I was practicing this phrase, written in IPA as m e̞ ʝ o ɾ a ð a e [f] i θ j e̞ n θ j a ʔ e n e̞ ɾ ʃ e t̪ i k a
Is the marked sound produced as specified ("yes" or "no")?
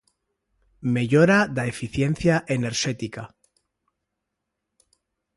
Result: yes